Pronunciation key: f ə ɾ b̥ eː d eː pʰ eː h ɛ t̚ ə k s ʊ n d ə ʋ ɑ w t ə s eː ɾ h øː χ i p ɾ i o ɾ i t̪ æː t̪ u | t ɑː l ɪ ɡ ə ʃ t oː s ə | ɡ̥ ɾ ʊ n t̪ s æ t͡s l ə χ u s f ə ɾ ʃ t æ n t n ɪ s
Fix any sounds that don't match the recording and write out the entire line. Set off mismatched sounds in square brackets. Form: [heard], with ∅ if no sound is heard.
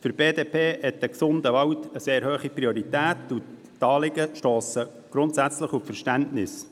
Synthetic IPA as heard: f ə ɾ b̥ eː d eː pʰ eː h ɛ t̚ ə k s ʊ n d ə ʋ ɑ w t ə s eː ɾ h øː χ i p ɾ i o ɾ i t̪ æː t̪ u | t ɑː l ɪ ɡ ə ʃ t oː s ə | ɡ̥ ɾ ʊ n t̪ s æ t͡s l ə χ u [f] f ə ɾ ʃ t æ n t n ɪ s

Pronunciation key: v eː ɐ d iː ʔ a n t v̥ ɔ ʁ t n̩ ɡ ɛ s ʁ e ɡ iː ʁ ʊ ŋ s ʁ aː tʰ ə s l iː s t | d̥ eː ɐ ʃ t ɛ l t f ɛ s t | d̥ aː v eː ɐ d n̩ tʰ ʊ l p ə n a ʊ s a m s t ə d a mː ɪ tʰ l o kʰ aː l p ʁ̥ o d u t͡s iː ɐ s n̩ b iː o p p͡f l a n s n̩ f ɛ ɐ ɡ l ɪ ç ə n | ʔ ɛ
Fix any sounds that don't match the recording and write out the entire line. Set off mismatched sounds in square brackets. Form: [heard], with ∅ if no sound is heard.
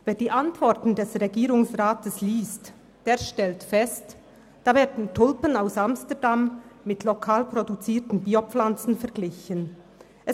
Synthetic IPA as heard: v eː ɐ d iː ʔ a n t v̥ ɔ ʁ t n̩ [d] ɛ s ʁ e ɡ iː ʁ ʊ ŋ s ʁ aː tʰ ə s l iː s t | d̥ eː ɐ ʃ t ɛ l t f ɛ s t | d̥ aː v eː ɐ d n̩ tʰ ʊ l p ə n a ʊ s a m s t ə d a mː ɪ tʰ l o kʰ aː l p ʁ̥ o d u t͡s iː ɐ [t] n̩ b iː o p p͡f l a n [t͡s] n̩ f ɛ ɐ ɡ l ɪ ç ə n | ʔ ɛ

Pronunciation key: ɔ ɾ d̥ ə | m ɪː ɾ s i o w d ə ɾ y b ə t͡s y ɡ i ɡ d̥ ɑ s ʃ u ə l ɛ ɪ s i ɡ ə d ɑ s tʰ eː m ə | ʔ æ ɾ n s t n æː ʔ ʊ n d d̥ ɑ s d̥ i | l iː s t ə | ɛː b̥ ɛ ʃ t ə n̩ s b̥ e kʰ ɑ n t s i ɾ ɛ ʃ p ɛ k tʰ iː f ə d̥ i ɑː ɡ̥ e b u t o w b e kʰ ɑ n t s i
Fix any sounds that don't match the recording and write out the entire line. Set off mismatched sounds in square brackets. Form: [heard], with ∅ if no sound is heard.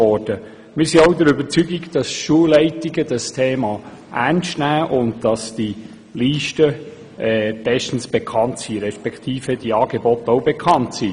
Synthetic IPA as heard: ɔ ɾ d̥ ə | m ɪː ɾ s i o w d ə ɾ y b ə t͡s y ɡ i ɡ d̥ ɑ s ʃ u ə l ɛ ɪ [t] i ɡ ə d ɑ s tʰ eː m [ɑ] | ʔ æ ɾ n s t n æː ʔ ʊ n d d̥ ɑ s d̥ i | l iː [ʃ] t ə | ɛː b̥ ɛ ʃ t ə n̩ s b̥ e kʰ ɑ n t s i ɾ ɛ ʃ p ɛ k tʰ iː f ə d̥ i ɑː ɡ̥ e b [ɔ] t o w b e kʰ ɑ n t s i

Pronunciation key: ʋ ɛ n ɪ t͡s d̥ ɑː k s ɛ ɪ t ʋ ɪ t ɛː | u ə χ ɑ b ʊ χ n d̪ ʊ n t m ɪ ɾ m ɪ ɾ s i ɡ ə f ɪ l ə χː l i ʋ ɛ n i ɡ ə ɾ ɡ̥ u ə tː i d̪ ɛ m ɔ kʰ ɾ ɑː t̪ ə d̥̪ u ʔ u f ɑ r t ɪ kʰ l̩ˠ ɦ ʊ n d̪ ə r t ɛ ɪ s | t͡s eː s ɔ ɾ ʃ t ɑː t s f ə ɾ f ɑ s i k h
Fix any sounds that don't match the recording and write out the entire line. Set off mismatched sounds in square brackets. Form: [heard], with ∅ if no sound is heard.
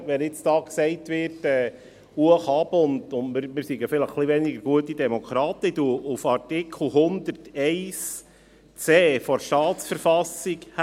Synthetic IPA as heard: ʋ ɛ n ɪ t͡s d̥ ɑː k s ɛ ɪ t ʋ ɪ t ɛː | u ə χ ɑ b ʊ [∅] n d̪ ʊ n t m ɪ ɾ m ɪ ɾ s i ɡ ə f ɪ l ə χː l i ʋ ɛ n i ɡ ə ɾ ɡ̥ u ə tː i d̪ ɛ m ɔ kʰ ɾ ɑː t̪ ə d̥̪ u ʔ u f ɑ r t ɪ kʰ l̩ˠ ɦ ʊ n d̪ ə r t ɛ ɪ s | t͡s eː [f] ɔ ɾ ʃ t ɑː t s f ə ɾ f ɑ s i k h

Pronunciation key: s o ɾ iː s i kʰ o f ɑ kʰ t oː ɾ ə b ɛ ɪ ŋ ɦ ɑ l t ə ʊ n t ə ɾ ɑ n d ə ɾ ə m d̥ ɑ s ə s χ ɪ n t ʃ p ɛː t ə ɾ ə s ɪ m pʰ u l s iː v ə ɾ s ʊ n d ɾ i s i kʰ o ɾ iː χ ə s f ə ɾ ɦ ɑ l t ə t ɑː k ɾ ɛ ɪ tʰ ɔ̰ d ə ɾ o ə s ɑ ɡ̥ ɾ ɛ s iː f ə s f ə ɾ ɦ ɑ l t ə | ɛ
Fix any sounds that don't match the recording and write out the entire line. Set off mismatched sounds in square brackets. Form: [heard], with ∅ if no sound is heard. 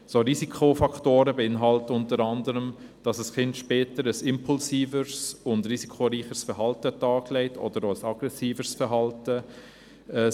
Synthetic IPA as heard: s o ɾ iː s i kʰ o f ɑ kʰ t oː ɾ ə b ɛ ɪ [n] ɦ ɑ l t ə ʊ n t ə ɾ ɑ n d ə ɾ ə m d̥ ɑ s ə s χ ɪ n t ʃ p ɛː t ə ɾ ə s ɪ m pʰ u l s iː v ə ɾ s ʊ n d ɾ i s i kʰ o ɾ iː χ ə s f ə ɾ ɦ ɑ l t ə t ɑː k [l] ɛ ɪ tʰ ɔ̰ d ə ɾ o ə s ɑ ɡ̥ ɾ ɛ s iː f ə s f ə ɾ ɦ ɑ l t ə | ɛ

